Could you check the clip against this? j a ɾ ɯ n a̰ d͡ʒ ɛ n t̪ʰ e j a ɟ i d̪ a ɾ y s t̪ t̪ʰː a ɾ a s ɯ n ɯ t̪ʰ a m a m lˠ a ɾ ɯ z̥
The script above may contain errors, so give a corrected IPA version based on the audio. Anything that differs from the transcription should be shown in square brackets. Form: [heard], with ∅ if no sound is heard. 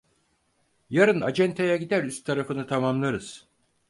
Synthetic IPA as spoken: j a ɾ ɯ n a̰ d͡ʒ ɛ n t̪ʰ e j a ɟ i d̪ [æ] ɾ y s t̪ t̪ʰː a ɾ a [f] ɯ n ɯ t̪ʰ a m a m lˠ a ɾ ɯ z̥